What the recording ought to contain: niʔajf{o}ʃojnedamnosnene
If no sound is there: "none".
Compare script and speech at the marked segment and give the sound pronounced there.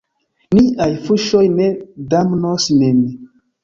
u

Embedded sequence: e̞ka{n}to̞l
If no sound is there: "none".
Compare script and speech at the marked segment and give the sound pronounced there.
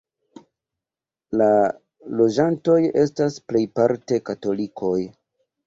none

